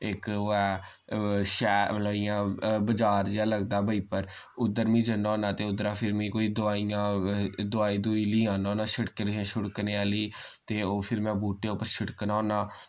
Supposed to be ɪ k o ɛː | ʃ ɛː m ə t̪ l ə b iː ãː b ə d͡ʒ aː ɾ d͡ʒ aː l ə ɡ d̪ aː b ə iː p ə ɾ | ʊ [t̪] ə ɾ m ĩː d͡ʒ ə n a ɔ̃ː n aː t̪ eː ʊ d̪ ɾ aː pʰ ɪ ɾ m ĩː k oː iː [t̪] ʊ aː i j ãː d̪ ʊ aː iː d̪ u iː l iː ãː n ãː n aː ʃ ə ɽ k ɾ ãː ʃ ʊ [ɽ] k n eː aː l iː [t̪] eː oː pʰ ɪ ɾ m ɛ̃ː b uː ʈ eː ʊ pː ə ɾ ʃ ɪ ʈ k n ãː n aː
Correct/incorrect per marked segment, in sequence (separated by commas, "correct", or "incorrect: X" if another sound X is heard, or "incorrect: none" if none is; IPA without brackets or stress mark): incorrect: d̪, incorrect: d̪, correct, correct